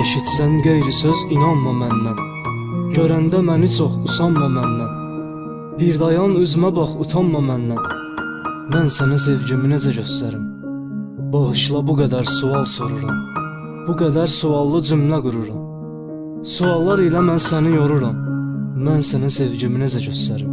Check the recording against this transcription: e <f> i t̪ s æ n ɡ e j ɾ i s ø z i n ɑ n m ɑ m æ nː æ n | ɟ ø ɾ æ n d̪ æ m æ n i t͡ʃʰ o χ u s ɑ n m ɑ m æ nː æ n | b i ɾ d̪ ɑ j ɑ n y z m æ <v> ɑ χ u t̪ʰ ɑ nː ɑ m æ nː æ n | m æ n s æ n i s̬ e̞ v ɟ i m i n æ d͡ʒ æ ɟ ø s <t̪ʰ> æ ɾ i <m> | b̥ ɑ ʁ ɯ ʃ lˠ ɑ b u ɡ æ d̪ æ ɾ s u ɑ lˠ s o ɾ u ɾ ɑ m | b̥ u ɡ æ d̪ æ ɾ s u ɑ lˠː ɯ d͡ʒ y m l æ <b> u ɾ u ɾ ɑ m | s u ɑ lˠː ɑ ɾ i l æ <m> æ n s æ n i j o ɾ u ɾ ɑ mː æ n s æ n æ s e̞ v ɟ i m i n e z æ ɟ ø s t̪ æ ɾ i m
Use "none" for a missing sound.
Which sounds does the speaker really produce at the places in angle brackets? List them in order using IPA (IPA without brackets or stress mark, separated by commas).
ʃ, b, t̪, m, ɡ, m